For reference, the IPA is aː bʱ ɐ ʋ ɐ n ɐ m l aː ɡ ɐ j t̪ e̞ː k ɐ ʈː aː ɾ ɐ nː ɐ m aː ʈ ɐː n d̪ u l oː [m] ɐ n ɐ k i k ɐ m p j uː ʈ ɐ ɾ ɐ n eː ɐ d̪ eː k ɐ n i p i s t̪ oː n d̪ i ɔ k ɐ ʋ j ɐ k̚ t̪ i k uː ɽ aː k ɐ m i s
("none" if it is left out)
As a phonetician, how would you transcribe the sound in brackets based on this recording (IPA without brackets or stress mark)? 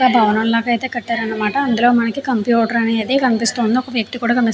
m